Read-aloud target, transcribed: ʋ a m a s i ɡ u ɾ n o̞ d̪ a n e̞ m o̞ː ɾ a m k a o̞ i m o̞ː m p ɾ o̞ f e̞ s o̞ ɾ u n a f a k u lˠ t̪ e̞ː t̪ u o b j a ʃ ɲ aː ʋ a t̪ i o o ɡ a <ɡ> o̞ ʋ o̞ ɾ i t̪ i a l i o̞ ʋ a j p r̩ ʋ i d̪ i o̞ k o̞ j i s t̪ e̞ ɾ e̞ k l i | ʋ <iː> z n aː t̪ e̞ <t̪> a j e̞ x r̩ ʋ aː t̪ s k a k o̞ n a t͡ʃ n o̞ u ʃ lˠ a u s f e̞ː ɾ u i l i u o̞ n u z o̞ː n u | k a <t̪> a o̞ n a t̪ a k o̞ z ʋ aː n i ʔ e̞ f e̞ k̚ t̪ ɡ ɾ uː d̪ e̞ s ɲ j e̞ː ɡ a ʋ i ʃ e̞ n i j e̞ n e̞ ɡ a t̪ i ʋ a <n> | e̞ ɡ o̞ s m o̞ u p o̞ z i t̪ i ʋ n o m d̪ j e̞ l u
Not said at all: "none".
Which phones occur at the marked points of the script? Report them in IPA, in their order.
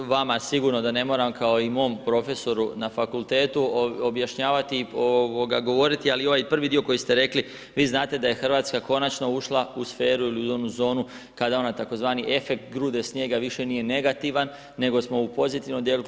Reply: ɡ, iː, d̪, d̪, nː

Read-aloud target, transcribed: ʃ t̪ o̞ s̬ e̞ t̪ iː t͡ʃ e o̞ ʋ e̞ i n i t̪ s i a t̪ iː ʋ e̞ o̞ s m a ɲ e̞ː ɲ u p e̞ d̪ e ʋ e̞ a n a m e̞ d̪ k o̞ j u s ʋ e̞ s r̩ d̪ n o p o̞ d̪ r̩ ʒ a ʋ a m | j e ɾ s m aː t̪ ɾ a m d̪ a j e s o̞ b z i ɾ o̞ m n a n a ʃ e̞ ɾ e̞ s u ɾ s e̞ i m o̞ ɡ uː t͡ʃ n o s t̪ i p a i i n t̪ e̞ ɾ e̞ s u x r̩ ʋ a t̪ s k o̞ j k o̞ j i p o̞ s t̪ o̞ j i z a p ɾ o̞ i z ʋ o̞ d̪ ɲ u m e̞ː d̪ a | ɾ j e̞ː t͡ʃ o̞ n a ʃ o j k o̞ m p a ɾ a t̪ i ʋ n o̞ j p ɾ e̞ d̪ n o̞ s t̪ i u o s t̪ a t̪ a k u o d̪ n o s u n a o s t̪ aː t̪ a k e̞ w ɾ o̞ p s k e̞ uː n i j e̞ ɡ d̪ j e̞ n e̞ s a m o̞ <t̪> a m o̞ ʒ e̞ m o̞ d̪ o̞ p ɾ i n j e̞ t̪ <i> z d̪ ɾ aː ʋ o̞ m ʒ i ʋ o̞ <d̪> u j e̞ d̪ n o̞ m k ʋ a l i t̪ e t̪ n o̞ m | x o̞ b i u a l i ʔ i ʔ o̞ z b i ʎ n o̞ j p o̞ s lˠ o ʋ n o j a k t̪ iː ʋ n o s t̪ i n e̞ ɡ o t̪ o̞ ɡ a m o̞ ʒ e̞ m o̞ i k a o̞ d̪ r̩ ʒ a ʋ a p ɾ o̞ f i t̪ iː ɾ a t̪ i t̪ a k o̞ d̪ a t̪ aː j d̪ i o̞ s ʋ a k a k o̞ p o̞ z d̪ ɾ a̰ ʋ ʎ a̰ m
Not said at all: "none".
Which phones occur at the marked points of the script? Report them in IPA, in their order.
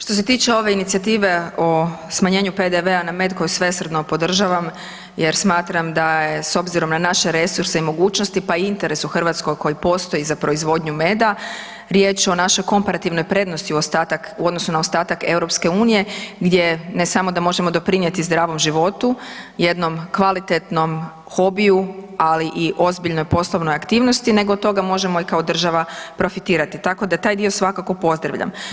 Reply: d̪, i, t̪

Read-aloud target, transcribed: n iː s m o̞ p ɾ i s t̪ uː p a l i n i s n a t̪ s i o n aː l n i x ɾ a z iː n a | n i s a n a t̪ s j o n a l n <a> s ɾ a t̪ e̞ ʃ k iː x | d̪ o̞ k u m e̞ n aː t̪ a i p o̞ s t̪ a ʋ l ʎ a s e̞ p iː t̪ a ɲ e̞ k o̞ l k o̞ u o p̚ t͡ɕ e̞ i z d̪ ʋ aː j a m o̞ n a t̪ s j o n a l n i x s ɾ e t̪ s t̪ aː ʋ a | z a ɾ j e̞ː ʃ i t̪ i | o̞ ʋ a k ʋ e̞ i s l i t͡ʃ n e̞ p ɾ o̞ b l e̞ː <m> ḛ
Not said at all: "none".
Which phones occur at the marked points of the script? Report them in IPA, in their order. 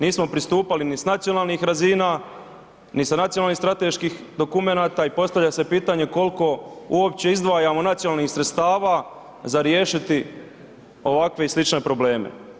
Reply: i, m

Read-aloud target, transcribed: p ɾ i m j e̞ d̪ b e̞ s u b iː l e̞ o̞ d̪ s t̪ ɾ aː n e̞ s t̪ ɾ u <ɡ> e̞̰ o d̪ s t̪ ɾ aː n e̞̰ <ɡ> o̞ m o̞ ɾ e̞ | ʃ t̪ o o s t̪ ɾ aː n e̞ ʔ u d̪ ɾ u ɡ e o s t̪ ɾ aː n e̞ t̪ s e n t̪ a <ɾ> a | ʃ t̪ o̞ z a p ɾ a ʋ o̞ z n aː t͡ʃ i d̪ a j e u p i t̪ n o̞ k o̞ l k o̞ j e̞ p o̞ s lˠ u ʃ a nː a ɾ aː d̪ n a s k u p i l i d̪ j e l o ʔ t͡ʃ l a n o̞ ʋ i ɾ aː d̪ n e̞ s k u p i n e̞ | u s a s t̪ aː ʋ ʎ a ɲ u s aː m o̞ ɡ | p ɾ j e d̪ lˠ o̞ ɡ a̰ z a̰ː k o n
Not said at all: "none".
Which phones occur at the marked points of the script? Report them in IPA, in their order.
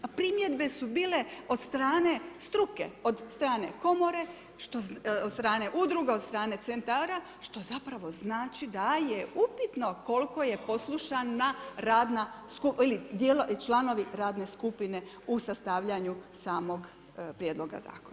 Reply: k, k, ɾ

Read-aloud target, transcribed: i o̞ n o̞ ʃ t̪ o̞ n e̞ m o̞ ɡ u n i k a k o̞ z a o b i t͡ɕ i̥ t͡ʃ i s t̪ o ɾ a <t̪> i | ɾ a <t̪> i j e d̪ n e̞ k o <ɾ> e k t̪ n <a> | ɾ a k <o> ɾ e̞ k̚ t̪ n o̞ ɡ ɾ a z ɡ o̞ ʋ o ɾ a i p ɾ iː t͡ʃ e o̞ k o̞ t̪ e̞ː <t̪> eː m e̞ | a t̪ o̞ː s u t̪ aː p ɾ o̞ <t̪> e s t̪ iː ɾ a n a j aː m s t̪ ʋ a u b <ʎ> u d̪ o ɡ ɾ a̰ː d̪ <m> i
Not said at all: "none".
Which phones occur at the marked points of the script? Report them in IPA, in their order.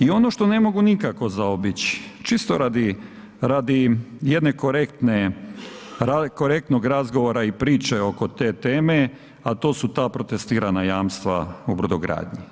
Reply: d̪, d̪, ɾ, e, o, t̪, t̪, ɾ, ɲ

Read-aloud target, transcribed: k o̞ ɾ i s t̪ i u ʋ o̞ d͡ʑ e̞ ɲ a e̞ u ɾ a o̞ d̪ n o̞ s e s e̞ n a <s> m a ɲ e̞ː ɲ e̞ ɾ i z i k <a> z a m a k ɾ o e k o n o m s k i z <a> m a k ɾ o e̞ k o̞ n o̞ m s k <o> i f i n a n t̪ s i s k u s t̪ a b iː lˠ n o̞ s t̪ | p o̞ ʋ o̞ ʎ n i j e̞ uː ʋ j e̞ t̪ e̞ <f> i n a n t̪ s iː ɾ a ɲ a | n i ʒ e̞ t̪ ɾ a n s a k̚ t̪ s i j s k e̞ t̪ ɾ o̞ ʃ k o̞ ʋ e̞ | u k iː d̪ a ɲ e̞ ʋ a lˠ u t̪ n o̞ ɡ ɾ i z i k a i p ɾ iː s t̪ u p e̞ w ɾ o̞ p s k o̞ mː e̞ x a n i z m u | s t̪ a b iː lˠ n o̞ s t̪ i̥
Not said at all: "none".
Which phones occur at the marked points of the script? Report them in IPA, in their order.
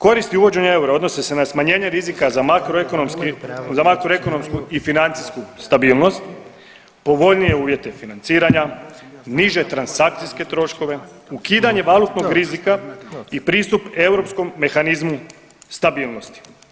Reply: s, a, a, u, f

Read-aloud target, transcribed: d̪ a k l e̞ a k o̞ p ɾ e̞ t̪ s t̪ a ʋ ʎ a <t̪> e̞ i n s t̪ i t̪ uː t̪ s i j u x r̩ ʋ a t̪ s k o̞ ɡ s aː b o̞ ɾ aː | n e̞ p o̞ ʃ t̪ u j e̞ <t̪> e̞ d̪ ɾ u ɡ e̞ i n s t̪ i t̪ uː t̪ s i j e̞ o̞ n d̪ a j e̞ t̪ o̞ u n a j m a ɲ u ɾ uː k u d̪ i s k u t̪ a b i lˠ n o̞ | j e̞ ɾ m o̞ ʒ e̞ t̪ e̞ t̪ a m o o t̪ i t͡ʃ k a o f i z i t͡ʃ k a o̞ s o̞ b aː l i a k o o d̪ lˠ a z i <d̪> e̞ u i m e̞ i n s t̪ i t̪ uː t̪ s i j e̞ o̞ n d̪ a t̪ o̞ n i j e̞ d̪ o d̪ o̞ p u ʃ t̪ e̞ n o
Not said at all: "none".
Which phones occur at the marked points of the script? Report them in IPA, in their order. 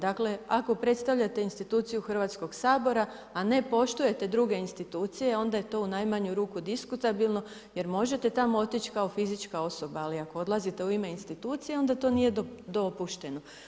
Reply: t̪, t̪, t̪

